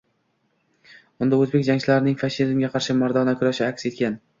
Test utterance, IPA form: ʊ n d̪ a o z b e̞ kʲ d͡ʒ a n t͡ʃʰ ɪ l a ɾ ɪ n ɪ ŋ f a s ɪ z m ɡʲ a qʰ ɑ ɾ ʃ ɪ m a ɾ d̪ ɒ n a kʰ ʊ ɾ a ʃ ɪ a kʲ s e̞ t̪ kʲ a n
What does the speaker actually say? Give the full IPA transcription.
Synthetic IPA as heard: ʊ n d̪ a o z b e̞ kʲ d͡ʒ a ŋ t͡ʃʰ ɪ l a ɾ ɪ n ɪ ŋ f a ʃ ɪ z m ɡʲ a qʰ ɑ ɾ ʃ ɪ m a ɾ d̪ ɒ n a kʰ ʊ ɾ a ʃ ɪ a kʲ s e̞ t̪ kʲ a n